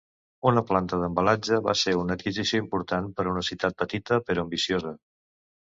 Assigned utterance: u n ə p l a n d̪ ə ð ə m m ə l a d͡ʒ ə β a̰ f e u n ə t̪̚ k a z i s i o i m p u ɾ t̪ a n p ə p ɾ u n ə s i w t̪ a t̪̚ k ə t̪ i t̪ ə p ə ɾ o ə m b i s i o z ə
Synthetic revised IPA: u n ə p l a n t̪ ə ð ə m b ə l a d͡ʒ ə β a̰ s e u n ə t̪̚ k i z i s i o i m p u ɾ t̪ a n p ə ɾ u n ə s i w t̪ a t̪̚ p ə t̪ i t̪ ə p ə ɾ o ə m b i s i o z ə